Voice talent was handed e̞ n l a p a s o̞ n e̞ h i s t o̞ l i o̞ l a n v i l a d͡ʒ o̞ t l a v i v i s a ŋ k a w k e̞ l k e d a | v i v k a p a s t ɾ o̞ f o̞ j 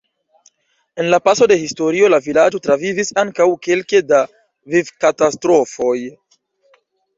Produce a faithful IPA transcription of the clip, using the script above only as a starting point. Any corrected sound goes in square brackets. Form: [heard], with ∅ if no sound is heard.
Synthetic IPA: e̞ n l a p a s o̞ [d] e̞ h i s t o̞ [ɾ] i o̞ l a [∅] v i l a d͡ʒ o̞ t [ɾ] a v i v i s a ŋ k a w k e̞ l k e d a | v i v k a [t] a s t ɾ o̞ f o̞ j